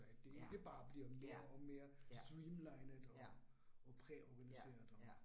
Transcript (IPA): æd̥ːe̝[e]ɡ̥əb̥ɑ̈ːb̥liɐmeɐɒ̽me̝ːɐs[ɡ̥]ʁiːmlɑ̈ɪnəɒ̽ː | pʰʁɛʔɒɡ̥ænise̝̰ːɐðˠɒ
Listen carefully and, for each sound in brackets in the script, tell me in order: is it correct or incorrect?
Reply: correct, incorrect

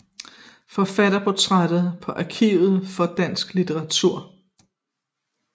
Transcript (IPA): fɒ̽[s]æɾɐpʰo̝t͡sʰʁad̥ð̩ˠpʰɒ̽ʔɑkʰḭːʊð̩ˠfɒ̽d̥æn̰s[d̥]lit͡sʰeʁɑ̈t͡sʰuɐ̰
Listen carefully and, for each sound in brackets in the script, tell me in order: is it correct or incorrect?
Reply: incorrect, incorrect

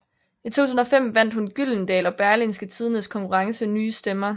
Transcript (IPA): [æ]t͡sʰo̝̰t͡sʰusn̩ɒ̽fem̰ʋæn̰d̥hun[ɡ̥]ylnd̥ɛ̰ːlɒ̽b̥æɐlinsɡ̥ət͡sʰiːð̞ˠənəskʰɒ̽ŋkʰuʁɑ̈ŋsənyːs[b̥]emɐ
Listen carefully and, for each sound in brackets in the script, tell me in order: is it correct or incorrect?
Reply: incorrect, correct, incorrect

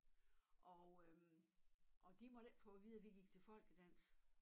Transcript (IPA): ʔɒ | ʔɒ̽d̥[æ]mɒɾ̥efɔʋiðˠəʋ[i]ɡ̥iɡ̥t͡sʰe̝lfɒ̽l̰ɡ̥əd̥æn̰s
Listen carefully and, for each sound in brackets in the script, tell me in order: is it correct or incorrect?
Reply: incorrect, correct

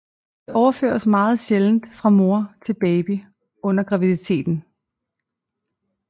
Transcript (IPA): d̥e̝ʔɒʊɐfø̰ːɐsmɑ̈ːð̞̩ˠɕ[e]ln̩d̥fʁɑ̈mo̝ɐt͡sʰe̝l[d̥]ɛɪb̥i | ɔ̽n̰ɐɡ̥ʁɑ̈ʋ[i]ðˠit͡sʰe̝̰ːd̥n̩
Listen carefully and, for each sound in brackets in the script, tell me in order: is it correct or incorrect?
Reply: correct, incorrect, correct

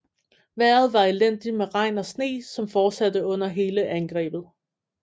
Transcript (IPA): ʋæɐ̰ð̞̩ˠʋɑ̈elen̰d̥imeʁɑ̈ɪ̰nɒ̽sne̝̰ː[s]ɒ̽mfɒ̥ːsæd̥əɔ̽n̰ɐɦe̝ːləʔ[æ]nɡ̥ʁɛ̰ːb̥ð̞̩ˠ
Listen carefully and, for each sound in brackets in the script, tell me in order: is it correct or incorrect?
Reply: correct, correct

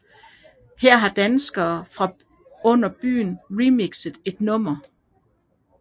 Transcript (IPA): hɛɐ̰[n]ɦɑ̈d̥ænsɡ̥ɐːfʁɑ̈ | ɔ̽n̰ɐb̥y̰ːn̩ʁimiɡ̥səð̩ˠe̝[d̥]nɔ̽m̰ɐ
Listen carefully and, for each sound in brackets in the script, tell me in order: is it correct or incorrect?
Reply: incorrect, correct

